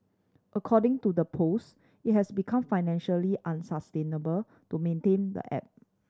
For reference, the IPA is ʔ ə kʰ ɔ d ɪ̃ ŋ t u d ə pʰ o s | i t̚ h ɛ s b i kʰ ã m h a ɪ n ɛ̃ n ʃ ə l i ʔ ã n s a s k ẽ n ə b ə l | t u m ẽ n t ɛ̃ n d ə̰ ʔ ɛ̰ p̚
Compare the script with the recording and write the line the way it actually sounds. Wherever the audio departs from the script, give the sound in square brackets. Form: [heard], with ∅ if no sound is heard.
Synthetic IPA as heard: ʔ ə kʰ ɔ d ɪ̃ ŋ t u d ə pʰ o s | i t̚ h ɛ s b i kʰ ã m [f] a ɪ n ɛ̃ n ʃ ə l i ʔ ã n s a s [t] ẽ n ə b ə l | t u m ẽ n t [ẽ] n d ə̰ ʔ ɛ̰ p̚

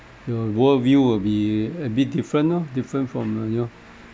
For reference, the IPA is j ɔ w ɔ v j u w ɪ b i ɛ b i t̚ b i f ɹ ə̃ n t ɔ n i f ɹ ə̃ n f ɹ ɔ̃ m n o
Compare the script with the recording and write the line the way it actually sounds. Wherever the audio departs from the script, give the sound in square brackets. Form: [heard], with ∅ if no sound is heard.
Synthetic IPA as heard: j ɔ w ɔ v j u w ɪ b i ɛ b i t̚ [d] i f ɹ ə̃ n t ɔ [d] i f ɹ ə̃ n f ɹ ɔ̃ m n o

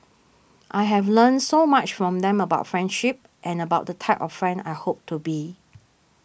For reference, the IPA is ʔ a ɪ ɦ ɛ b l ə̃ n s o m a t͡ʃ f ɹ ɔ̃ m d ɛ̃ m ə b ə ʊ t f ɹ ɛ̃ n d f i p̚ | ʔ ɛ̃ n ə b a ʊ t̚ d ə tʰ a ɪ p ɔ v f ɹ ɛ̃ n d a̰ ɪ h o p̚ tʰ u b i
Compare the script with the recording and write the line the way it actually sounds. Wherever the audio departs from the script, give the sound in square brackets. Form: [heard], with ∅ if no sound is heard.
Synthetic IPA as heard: ʔ a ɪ ɦ ɛ [v] l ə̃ n s o m a t͡ʃ f ɹ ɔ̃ m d ɛ̃ m ə b [a] ʊ t f ɹ ɛ̃ n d [ʃ] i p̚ | ʔ ɛ̃ n ə b a ʊ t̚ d ə tʰ a ɪ p ɔ [f] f ɹ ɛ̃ n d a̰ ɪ h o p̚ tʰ u b i

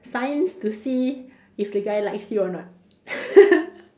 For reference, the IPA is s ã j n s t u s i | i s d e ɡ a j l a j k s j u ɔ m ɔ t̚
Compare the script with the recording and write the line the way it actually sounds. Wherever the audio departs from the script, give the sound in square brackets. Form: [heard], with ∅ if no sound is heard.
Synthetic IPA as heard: s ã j n s t u s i | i [f] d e ɡ a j l a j k s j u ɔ [n] ɔ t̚

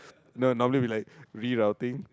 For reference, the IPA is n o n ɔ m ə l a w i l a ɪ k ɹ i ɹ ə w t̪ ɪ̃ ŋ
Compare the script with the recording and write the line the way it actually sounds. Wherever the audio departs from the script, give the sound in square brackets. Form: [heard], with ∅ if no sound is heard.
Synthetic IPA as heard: n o n ɔ m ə l [i] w i l a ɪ k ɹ i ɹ [a] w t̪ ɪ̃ ŋ

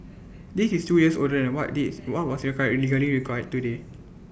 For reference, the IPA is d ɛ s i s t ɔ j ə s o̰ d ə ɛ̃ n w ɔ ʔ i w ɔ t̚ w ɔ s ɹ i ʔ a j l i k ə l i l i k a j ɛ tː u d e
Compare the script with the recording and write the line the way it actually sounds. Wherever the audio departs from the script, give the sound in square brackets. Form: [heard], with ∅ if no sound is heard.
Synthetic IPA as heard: d [i] s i s t [u] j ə s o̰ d ə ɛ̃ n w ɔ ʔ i w ɔ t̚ w ɔ s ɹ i [k] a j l i [ɡ] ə l i [ɹ] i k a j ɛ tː u d e

